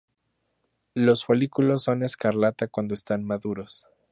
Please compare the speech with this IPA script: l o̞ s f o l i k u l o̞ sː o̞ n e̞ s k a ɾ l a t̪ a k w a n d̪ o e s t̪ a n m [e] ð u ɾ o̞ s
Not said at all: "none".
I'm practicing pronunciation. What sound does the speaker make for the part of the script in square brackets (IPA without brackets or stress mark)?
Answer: a